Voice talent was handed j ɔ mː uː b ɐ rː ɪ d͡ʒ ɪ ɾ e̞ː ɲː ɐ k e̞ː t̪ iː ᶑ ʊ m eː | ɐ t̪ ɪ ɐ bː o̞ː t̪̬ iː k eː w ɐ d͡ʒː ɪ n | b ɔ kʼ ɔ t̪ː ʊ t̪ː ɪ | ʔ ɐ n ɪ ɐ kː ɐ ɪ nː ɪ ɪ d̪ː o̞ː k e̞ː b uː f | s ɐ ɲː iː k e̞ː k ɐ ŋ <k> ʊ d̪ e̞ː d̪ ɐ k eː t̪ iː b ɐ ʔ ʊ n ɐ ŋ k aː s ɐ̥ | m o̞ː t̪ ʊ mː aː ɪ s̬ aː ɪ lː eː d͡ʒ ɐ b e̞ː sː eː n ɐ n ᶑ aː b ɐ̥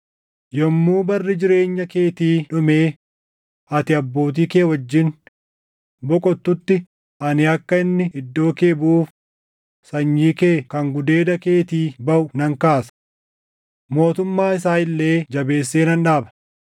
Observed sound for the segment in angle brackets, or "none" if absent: ɡ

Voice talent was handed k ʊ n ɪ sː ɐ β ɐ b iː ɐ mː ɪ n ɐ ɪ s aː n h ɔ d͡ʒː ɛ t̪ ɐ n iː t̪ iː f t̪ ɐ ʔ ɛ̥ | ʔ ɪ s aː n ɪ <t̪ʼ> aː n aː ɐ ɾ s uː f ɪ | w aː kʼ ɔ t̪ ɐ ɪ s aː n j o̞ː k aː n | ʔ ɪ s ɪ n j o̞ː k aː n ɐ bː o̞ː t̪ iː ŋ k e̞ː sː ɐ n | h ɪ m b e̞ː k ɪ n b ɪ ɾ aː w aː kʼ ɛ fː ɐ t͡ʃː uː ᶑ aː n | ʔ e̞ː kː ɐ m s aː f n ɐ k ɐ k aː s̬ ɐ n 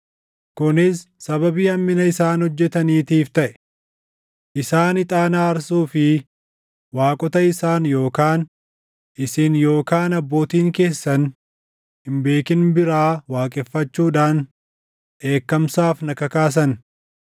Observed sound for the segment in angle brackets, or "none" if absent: t̪ʼ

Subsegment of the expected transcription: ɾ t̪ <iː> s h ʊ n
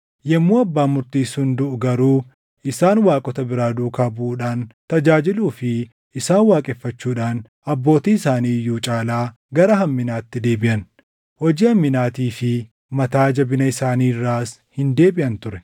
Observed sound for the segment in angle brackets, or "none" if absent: iː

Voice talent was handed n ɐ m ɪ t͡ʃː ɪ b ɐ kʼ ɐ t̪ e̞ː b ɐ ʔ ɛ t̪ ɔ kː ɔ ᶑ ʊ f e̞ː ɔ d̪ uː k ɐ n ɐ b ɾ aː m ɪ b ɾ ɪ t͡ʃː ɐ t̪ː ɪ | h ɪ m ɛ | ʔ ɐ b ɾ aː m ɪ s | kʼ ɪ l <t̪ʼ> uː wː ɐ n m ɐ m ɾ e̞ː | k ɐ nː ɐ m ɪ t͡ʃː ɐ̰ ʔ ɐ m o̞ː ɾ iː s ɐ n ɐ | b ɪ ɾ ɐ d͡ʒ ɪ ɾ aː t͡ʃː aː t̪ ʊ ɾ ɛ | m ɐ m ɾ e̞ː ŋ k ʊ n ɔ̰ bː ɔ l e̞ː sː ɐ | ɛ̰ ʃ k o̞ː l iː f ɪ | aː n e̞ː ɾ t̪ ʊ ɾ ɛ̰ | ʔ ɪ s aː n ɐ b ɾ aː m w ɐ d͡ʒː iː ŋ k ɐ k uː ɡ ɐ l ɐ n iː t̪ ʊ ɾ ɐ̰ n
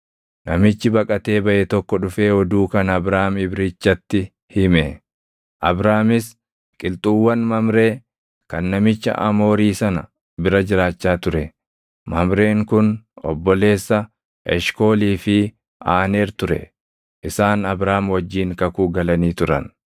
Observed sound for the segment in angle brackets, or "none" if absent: t̪ʼ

